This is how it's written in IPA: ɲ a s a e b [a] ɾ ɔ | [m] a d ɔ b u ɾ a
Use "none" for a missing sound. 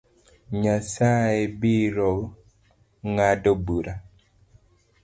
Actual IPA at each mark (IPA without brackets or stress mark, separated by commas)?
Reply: i, ŋ